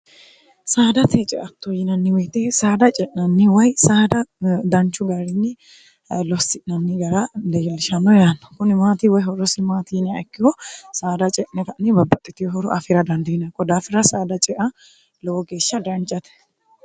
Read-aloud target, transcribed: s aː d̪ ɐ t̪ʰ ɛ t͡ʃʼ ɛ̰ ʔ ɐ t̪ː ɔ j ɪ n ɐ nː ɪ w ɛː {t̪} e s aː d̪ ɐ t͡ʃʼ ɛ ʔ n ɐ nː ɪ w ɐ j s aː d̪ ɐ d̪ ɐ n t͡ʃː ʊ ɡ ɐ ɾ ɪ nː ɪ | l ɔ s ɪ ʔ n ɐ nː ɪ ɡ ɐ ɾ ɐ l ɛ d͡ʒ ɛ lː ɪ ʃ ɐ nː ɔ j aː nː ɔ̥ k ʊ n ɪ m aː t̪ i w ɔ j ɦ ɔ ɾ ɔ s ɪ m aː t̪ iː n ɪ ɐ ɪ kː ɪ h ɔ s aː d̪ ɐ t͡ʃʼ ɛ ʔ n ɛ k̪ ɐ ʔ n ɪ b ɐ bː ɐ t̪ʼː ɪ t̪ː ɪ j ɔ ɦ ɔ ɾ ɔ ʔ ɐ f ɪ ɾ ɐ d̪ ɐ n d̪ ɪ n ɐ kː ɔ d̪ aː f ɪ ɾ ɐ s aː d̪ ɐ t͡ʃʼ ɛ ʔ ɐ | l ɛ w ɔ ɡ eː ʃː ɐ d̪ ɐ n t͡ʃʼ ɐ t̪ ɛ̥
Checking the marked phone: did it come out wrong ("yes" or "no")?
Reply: no